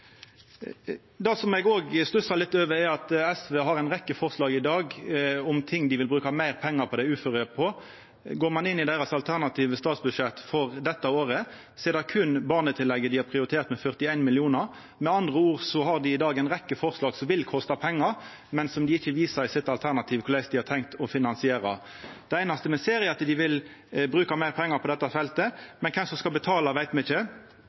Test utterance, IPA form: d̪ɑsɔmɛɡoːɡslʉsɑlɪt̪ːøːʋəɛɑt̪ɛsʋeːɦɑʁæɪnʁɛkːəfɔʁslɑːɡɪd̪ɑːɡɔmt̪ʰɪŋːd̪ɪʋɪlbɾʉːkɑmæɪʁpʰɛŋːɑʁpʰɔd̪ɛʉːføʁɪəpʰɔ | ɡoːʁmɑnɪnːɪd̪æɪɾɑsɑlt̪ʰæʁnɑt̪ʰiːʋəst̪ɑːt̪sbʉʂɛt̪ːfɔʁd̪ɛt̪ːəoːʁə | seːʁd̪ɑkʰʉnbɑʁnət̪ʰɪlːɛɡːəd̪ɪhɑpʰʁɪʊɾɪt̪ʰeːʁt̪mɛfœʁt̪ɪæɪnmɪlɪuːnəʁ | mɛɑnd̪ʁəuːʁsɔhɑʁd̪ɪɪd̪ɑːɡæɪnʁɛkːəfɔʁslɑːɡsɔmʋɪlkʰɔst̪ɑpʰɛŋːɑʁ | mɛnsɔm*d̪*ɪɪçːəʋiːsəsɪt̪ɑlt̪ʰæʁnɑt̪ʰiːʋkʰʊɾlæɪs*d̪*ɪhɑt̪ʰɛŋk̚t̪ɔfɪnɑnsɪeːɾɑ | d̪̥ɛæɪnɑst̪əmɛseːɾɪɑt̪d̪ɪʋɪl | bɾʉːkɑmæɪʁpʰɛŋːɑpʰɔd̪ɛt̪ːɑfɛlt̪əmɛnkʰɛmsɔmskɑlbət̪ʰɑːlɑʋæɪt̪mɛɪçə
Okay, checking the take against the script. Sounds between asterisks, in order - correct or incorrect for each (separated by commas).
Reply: correct, correct